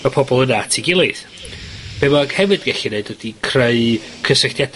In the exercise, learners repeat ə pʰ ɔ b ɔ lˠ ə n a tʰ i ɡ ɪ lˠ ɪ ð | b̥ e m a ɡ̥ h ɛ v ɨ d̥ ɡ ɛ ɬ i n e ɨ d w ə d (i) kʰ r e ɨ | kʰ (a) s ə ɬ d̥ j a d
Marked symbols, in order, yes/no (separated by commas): yes, no